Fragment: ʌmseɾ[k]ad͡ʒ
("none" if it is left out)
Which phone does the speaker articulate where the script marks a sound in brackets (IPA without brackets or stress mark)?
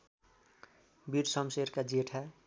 k